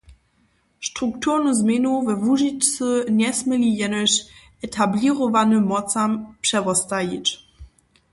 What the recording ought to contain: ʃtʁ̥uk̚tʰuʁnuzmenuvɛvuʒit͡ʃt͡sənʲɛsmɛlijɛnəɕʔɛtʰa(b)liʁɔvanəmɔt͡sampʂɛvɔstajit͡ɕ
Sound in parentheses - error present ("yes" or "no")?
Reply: no